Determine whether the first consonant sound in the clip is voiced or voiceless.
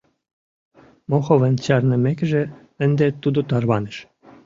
voiced